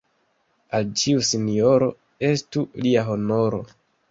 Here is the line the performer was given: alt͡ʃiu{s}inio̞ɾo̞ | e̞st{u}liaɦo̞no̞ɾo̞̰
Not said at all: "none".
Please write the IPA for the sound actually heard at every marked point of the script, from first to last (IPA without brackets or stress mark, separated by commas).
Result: s, u